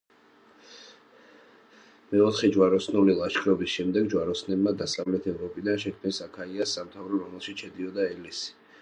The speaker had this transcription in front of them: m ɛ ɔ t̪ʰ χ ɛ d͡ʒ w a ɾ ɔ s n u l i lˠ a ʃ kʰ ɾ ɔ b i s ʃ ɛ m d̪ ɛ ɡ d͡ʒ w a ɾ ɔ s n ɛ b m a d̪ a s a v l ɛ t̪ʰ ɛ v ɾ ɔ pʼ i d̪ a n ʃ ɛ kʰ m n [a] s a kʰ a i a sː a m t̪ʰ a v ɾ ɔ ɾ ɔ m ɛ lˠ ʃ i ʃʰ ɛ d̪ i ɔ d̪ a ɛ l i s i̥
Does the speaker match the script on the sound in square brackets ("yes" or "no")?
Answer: no